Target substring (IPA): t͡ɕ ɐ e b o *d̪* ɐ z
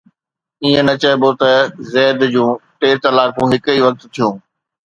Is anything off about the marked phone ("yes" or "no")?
yes